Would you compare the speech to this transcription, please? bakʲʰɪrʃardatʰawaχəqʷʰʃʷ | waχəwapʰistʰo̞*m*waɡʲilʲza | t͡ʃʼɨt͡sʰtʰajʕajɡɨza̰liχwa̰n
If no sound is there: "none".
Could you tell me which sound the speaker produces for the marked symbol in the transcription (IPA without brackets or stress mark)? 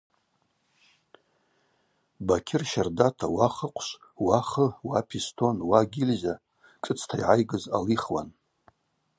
n